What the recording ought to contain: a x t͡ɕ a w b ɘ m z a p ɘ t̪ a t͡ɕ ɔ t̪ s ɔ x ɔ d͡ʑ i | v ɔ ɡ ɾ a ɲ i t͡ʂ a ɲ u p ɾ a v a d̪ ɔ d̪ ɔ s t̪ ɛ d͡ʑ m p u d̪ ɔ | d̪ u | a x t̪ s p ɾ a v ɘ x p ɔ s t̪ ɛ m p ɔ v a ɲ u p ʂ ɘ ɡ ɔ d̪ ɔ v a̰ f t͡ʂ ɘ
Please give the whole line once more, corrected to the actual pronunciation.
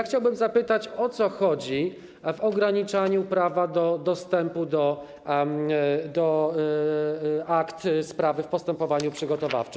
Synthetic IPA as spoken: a x t͡ɕ a w b ɘ m z a p ɘ t̪ a t͡ɕ ɔ t̪ s ɔ x ɔ d͡ʑ i | v ɔ ɡ ɾ a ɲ i t͡ʂ a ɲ u p ɾ a v a d̪ ɔ d̪ ɔ s t̪ ɛ m p u d̪ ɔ | d̪ ɔ | a k t̪ s p ɾ a v ɘ f p ɔ s t̪ ɛ m p ɔ v a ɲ u p ʂ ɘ ɡ ɔ t̪ ɔ v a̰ f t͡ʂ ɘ